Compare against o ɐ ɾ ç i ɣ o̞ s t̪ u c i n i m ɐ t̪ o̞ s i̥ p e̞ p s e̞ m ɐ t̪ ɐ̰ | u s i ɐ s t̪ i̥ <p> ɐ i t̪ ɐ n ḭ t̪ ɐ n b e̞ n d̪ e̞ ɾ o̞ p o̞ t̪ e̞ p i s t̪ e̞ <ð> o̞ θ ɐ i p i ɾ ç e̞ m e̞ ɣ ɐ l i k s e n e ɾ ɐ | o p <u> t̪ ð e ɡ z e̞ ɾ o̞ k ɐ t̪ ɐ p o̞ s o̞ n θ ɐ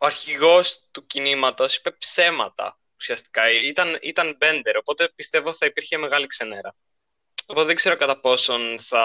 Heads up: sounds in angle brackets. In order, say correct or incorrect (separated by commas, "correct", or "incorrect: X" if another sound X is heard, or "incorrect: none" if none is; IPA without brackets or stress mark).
incorrect: k, incorrect: v, incorrect: o